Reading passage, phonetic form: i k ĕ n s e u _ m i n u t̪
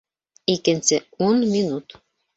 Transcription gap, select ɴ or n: n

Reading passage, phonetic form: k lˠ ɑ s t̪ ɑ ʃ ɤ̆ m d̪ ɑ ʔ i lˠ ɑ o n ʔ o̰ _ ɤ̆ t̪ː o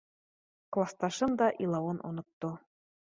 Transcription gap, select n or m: n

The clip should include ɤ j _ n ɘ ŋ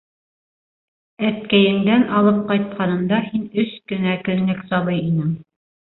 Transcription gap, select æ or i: i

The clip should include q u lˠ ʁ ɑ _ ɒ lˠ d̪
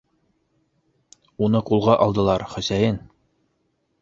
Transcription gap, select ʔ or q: ʔ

